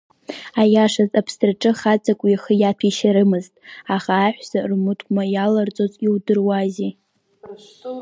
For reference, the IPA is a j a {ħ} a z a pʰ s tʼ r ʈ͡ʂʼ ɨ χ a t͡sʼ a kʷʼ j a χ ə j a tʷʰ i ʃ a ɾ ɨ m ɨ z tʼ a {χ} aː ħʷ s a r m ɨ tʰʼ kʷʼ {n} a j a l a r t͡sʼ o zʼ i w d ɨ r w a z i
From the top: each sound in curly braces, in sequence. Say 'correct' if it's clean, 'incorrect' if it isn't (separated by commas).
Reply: incorrect, correct, incorrect